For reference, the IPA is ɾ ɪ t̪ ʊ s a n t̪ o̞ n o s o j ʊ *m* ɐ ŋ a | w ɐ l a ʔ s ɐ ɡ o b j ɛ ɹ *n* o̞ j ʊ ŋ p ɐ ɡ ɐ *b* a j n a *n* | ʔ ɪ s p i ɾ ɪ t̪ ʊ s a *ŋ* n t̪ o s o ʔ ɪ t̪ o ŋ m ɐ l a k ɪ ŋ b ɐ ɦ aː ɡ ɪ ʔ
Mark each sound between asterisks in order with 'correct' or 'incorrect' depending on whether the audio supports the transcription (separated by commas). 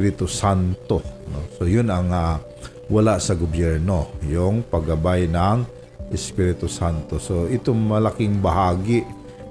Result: incorrect, correct, correct, incorrect, incorrect